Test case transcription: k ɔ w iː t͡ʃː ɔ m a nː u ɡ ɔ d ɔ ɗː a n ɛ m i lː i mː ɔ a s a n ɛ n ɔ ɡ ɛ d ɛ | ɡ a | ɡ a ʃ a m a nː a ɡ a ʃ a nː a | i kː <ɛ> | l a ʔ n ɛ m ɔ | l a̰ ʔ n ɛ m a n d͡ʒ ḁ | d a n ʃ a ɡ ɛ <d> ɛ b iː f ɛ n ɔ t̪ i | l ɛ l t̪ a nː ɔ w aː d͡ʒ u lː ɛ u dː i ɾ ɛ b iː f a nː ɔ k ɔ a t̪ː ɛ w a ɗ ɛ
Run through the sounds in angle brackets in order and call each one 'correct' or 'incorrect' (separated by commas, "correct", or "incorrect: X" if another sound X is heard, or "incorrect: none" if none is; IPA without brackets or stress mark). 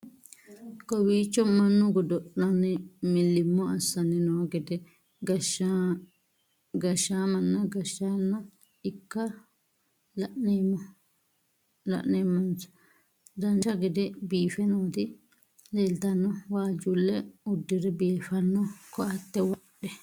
incorrect: a, correct